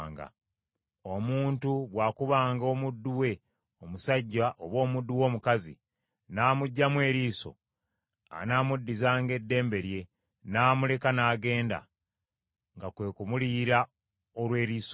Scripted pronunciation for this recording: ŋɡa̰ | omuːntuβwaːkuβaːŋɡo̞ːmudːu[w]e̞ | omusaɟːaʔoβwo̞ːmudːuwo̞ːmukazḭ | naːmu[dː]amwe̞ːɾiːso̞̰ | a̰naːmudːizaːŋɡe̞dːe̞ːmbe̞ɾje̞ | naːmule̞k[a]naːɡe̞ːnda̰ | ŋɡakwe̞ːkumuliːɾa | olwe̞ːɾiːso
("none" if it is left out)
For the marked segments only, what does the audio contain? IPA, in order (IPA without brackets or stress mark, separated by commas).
w, ɟː, a